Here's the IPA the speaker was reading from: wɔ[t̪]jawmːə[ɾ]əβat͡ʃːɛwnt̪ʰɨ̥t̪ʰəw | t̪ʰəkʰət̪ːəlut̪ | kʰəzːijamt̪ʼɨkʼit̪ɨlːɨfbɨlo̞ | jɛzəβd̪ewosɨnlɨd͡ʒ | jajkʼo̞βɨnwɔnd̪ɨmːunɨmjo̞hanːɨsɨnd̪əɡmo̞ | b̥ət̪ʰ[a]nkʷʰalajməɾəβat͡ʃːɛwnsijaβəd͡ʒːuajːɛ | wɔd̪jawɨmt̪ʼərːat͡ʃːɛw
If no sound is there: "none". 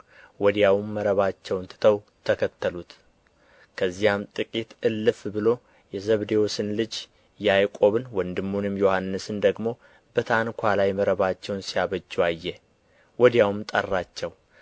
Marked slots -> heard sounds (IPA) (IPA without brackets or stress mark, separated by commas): d̪, ɾ, a